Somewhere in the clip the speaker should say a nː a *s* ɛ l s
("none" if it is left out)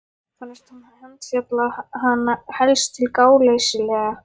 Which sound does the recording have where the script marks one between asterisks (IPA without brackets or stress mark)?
h